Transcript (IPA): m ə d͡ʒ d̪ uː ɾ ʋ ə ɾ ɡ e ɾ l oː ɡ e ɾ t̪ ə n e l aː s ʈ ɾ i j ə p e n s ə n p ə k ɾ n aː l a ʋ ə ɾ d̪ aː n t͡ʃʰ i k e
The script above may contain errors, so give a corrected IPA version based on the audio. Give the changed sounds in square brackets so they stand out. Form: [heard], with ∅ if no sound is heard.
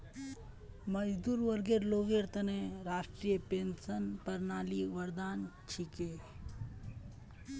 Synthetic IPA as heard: m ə d͡ʒ d̪ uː ɾ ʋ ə ɾ ɡ e ɾ l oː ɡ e ɾ t̪ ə n e [ɾ] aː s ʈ ɾ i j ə p e n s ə n p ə [∅] ɾ n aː l [i] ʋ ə ɾ d̪ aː n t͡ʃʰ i k e